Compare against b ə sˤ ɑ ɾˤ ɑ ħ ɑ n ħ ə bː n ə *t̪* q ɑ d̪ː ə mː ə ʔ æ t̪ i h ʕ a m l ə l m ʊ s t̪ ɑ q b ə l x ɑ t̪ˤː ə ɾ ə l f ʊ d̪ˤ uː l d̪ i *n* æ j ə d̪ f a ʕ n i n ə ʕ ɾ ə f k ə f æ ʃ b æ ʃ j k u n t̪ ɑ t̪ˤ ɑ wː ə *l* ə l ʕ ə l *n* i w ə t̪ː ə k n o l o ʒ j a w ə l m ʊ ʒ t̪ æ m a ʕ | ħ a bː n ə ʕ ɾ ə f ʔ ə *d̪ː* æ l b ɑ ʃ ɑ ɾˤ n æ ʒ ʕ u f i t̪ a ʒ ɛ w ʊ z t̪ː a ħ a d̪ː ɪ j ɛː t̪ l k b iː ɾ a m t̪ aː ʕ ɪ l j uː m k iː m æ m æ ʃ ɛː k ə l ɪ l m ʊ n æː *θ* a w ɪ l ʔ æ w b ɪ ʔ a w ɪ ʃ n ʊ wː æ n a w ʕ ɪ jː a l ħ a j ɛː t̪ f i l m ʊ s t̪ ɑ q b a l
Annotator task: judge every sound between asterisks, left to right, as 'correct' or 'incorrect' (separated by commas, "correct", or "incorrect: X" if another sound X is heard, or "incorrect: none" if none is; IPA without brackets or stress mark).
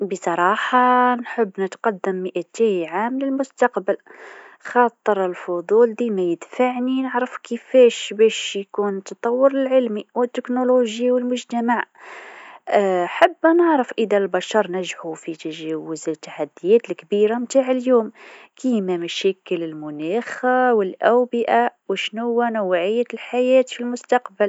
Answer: correct, incorrect: m, incorrect: ɾ, incorrect: m, incorrect: d̪, incorrect: x